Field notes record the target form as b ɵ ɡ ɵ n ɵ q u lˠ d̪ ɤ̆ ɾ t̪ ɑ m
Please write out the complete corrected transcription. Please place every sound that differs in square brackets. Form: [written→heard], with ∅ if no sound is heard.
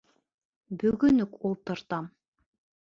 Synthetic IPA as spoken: b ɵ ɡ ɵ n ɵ [q→k] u lˠ [d̪→t̪] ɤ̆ ɾ t̪ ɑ m